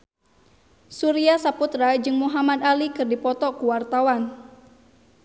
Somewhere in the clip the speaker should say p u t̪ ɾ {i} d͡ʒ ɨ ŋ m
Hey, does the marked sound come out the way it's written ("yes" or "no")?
no